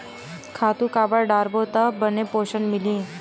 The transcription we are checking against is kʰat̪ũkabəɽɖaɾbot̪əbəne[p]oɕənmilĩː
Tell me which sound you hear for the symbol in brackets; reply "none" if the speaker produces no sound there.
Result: p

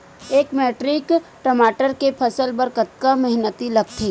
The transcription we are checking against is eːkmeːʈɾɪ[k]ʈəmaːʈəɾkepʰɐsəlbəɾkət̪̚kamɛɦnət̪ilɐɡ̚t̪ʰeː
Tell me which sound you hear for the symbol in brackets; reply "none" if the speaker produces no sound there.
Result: k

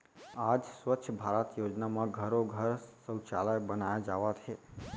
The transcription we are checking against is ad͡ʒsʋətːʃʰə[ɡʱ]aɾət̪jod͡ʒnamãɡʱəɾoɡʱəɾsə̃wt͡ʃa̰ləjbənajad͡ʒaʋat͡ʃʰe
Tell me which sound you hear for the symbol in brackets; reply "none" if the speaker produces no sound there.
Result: bʱ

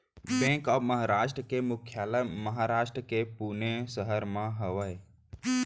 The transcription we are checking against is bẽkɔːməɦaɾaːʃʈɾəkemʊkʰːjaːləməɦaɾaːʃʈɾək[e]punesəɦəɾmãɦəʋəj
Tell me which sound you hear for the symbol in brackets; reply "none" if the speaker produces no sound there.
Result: e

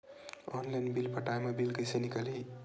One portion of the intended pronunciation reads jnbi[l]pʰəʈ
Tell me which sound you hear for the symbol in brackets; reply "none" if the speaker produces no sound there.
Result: l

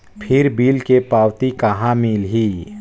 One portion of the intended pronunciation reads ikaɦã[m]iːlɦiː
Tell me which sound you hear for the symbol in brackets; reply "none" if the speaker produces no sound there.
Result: m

